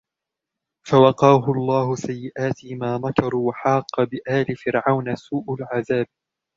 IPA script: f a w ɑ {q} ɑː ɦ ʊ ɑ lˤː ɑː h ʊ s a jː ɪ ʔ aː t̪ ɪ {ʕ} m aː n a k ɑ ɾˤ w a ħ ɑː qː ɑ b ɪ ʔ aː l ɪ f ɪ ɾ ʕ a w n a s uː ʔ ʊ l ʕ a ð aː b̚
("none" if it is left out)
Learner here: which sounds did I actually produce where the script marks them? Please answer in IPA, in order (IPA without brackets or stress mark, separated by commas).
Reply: q, none